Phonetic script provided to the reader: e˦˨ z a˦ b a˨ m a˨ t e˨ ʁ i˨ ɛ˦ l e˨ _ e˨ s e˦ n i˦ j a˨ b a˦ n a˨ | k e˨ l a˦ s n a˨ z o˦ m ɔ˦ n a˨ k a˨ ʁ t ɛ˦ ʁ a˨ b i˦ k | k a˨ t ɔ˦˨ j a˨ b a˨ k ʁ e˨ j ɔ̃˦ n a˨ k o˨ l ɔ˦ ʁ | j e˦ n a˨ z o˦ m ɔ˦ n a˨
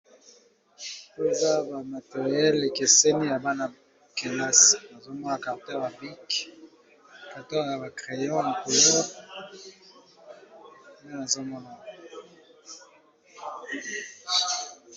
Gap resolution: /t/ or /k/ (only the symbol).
k